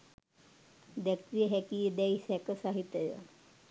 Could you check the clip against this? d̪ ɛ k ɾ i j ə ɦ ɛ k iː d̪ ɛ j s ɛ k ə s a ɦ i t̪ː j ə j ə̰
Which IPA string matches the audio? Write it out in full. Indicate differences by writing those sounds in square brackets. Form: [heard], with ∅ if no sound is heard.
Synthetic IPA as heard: d̪ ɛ k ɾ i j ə ɦ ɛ k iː d̪ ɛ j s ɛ k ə s a ɦ i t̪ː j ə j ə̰